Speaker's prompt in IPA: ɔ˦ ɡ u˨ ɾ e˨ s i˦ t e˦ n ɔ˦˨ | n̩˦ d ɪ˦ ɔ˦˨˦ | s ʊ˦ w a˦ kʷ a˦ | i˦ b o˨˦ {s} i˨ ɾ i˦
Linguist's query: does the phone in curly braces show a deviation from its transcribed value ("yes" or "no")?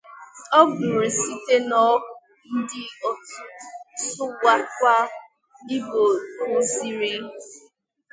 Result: yes